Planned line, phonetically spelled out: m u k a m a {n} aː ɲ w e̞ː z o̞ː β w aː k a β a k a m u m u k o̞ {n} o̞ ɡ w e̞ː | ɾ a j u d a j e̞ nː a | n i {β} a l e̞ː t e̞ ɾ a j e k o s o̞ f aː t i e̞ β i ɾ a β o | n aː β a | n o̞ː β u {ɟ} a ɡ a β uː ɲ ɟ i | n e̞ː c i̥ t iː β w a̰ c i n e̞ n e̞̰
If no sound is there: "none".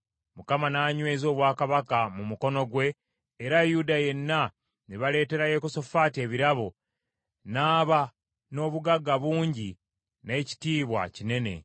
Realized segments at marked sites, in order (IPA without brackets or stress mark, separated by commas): n, n, β, ɡ